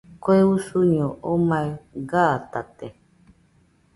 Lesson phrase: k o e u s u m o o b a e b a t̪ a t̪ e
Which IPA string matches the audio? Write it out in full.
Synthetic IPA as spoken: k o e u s u ɲ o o m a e ɡ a t̪ a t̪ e